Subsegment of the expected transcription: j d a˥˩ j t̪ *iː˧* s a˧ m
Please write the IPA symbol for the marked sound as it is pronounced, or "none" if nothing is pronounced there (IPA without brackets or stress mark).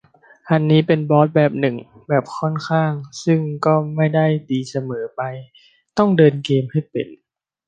iː˧